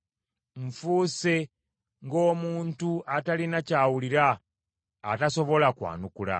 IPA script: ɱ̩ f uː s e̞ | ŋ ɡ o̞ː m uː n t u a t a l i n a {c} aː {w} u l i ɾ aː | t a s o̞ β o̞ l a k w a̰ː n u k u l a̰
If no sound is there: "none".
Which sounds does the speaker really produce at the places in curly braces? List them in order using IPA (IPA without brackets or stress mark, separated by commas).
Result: c, w